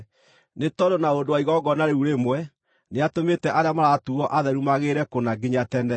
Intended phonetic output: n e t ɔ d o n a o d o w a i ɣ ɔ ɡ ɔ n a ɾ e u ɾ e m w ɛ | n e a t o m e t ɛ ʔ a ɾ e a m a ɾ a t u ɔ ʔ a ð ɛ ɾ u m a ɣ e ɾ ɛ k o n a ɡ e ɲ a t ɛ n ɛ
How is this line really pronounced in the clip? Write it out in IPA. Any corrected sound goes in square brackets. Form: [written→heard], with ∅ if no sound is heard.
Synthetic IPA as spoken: n e t ɔ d o n a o d o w a i ɣ ɔ ɡ ɔ n a ɾ e u ɾ e m w ɛ | n e a t o m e t ɛ ʔ a ɾ e a m a ɾ a t u ɔ ʔ a ð ɛ ɾ u m a ɣ e ɾ ɛ k o n a ɡ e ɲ a t ɛ n ɛ